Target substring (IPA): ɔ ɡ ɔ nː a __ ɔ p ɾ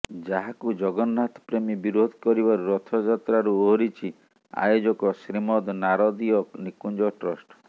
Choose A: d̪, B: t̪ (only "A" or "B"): B